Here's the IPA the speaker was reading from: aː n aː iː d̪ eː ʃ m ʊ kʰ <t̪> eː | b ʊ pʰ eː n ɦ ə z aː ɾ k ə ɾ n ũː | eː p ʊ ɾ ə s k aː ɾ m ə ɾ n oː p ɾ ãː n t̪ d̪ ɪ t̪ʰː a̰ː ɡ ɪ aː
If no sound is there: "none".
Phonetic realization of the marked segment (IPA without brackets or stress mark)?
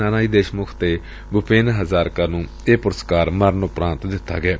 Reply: t̪